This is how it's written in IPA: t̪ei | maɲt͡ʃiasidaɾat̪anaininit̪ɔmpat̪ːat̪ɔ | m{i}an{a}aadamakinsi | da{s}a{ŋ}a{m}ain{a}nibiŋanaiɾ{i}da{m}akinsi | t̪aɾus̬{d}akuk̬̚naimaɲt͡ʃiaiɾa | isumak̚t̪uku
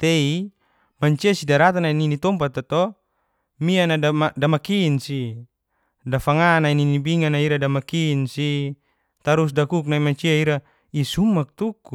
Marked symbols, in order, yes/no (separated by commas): yes, yes, no, yes, no, no, no, yes, yes